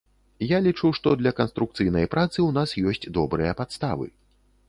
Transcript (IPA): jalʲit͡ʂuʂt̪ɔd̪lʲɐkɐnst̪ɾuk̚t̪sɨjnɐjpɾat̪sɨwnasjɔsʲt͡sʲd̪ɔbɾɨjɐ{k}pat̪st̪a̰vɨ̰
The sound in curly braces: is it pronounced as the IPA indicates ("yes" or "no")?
no